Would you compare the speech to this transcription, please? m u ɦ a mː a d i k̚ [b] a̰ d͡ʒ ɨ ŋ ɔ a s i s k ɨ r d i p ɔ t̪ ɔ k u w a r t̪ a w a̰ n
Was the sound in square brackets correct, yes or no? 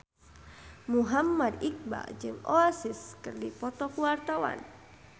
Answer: yes